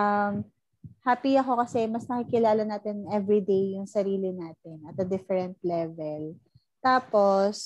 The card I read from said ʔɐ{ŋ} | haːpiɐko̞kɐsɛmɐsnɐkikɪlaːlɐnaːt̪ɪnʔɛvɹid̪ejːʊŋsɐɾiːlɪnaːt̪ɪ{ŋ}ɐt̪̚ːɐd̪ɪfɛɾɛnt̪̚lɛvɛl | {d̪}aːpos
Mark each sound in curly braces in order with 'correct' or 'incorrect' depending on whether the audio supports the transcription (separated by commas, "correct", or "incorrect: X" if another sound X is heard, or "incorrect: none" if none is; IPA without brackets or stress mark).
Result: incorrect: m, incorrect: n, incorrect: t̪